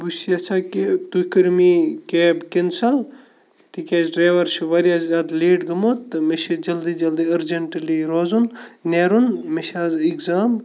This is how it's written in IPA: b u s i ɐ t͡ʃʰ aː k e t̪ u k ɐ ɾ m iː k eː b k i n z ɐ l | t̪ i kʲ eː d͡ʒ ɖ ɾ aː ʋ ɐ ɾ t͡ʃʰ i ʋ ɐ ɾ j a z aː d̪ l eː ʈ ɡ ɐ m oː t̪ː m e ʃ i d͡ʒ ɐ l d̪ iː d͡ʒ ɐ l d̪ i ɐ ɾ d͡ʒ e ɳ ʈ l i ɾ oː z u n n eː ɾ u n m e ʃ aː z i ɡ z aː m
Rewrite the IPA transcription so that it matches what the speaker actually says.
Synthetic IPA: b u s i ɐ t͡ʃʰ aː k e t̪ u k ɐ ɾ m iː k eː b k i n s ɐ l | t̪ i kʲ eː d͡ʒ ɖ ɾ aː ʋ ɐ ɾ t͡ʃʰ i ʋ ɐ ɾ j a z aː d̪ l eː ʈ ɡ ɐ m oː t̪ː m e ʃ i d͡ʒ ɐ l d̪ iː d͡ʒ ɐ l d̪ i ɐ ɾ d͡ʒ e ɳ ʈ l i ɾ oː z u n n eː ɾ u n m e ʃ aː z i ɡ z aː m